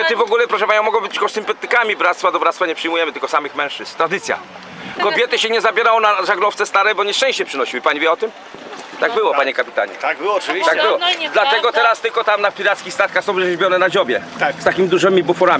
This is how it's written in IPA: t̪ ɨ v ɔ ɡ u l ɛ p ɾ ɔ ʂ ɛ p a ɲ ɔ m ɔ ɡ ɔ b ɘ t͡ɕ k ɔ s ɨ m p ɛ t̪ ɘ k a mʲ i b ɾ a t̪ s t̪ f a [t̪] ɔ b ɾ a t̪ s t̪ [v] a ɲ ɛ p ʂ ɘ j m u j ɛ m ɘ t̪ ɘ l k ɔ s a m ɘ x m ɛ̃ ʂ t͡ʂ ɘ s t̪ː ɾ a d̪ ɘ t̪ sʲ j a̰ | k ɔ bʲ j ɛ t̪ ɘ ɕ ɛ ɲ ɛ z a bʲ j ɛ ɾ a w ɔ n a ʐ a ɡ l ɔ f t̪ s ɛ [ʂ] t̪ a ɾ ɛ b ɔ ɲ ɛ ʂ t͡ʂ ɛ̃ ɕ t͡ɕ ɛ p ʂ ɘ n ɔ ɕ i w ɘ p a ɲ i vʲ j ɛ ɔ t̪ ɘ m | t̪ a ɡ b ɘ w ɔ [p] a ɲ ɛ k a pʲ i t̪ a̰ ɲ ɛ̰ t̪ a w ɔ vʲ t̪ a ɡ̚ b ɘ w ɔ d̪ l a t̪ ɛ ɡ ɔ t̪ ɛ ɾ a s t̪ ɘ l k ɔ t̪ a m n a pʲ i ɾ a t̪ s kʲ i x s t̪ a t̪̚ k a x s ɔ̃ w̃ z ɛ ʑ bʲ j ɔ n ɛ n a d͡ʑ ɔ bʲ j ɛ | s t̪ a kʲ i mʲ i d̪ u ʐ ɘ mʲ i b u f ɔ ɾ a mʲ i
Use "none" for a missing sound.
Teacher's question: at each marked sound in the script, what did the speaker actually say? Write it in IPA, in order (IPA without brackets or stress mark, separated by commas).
d̪, f, s, p